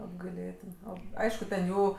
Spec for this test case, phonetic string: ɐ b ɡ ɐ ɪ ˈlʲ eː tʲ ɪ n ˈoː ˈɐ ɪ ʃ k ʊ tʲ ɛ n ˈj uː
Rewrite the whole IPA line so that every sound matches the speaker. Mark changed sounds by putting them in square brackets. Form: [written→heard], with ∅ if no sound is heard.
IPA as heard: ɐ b ɡ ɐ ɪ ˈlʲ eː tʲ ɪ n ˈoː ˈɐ ɪ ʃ k ʊ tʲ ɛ n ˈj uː